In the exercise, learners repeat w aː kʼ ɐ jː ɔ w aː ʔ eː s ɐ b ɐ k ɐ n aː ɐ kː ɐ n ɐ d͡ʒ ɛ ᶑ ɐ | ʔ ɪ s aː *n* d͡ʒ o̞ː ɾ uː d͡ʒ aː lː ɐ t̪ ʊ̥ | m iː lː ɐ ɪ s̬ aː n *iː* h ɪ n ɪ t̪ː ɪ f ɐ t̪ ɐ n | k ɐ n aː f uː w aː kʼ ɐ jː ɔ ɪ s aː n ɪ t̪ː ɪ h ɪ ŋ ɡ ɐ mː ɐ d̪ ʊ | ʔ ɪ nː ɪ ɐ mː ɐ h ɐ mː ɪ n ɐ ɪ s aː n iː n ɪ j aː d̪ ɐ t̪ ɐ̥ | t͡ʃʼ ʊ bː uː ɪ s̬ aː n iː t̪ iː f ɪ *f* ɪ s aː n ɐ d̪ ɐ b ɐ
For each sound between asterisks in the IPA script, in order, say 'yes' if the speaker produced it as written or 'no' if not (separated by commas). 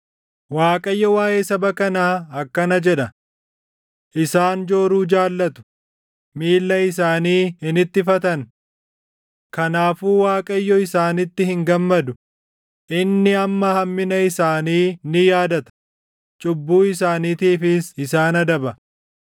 yes, yes, no